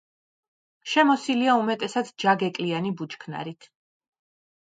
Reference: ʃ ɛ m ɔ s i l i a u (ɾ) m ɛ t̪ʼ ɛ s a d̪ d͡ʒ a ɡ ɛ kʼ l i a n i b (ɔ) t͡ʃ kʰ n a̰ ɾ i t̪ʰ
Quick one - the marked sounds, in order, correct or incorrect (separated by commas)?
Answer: incorrect, incorrect